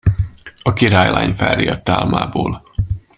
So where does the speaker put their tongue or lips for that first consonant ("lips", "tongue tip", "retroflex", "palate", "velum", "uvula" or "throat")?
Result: velum